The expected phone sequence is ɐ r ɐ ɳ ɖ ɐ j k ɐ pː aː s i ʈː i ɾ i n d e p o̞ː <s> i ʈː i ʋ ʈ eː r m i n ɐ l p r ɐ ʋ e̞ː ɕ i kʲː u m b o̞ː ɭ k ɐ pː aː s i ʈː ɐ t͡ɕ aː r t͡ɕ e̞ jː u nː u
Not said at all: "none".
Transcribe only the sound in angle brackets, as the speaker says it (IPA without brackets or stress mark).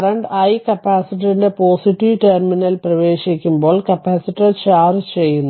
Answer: s